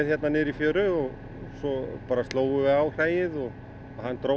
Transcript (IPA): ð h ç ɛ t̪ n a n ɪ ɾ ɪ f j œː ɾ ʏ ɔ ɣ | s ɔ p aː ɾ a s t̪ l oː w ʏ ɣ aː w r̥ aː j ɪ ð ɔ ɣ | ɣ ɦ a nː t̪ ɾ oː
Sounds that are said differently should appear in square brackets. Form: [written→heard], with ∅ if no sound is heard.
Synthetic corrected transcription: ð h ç ɛ t̪ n a n ɪ ɾ [ɪ→i] f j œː ɾ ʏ ɔ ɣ | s ɔ p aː ɾ a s t̪ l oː w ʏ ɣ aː w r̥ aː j ɪ ð ɔ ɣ | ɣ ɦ a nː t̪ ɾ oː

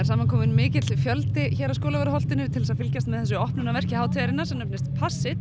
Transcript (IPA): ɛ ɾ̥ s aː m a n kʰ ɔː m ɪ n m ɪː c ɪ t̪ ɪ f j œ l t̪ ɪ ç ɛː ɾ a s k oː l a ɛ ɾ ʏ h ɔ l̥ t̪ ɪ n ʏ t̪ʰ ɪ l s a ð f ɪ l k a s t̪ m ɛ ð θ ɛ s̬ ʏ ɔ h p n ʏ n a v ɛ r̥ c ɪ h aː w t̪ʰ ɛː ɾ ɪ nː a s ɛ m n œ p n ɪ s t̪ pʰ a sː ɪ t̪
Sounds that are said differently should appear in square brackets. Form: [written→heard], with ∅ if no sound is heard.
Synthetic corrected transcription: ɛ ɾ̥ s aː m a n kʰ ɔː m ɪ n m ɪː c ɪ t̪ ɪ f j œ l t̪ ɪ ç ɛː ɾ a s k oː l a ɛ ɾ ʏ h ɔ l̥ t̪ ɪ n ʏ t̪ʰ ɪ l s a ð f ɪ l [k→c] a s t̪ m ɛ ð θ ɛ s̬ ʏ ɔ h p n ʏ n a v ɛ r̥ c ɪ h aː w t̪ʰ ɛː ɾ ɪ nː a s ɛ m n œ p n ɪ s t̪ pʰ a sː ɪ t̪

